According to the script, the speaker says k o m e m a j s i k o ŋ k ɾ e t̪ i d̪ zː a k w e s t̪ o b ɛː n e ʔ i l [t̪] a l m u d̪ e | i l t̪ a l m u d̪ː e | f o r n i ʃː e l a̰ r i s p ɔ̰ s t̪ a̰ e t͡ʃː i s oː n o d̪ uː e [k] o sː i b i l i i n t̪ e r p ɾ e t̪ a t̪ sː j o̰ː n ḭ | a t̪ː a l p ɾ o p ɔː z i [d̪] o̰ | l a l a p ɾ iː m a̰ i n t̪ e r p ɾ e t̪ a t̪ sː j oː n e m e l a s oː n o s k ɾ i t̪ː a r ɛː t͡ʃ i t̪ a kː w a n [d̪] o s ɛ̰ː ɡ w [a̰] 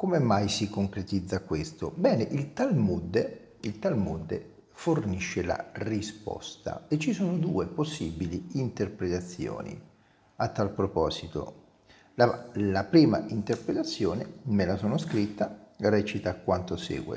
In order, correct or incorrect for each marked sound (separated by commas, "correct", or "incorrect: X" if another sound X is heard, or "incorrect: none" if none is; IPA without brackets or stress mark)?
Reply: correct, incorrect: p, incorrect: t̪, incorrect: t̪, incorrect: ḛ